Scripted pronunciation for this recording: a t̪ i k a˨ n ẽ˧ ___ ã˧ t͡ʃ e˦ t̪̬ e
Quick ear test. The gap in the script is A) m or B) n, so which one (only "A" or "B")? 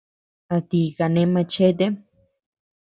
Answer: A